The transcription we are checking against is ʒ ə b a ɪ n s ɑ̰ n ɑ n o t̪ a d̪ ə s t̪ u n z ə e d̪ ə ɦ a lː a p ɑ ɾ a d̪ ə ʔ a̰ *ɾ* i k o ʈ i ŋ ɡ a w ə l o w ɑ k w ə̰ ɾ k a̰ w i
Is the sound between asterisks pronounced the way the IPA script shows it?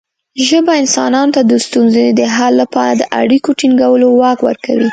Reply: no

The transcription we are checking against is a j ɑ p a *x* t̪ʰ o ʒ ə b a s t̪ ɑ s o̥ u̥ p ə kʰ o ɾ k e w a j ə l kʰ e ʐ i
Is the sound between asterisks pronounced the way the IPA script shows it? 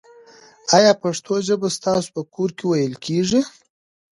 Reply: no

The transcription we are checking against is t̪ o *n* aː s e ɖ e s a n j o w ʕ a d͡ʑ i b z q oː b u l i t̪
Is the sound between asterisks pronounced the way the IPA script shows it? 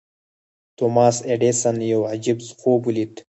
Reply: no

